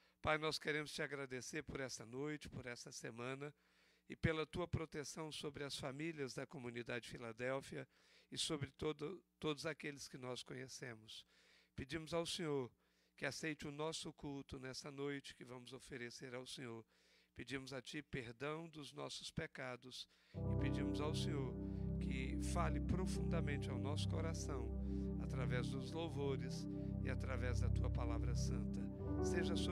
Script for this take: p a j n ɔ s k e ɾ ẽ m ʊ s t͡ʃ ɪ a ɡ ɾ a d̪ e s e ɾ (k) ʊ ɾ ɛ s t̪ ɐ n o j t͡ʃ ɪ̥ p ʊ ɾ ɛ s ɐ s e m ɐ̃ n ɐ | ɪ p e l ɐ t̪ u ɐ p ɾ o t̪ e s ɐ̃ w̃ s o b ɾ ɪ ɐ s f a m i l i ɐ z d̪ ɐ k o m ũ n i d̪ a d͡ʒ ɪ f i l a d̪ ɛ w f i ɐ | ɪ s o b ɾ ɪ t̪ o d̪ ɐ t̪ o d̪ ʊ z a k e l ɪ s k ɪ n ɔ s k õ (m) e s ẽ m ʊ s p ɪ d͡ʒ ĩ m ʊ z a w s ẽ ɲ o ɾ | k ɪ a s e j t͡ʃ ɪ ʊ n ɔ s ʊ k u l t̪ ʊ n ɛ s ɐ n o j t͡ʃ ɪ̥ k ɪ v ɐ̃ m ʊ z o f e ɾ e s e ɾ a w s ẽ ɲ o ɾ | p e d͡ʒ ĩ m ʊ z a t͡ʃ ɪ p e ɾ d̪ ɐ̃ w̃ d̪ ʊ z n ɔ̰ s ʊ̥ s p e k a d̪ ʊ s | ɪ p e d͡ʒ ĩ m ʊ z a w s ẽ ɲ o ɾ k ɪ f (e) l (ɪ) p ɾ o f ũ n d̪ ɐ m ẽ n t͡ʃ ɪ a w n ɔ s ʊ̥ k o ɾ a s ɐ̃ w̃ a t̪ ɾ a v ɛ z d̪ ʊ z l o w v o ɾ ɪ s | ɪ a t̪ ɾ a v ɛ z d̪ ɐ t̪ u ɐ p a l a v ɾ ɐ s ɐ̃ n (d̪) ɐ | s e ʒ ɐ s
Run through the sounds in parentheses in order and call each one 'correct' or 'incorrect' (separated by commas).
incorrect, incorrect, incorrect, correct, incorrect